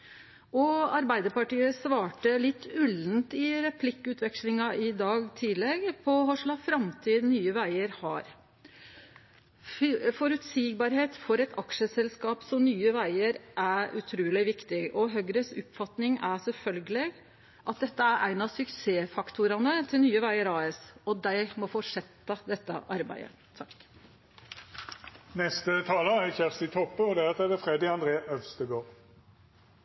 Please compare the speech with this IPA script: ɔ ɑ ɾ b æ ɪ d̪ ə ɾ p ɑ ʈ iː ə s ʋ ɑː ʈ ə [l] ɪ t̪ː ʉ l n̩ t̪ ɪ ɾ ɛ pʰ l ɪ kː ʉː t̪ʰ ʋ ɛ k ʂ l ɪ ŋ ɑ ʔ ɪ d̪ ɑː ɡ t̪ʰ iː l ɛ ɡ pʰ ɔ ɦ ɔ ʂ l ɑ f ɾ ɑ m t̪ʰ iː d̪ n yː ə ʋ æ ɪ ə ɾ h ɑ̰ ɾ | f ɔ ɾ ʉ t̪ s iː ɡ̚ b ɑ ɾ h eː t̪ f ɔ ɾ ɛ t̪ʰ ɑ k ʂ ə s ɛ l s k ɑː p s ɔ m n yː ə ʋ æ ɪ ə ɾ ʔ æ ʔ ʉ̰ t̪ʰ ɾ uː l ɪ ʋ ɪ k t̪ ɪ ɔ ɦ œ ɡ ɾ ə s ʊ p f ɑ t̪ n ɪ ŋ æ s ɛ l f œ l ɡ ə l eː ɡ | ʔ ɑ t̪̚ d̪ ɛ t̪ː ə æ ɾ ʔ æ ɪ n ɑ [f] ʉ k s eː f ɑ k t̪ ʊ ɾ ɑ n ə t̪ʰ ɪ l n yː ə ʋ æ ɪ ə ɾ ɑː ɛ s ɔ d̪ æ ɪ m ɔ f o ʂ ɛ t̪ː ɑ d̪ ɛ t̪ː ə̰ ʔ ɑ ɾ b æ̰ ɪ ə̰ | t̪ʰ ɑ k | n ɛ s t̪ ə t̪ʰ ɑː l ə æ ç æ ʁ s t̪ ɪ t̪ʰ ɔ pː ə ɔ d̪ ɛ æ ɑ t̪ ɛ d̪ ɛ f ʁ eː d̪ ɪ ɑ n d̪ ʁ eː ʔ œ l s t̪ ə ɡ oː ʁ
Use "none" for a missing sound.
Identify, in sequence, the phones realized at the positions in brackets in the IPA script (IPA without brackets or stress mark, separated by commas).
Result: l, s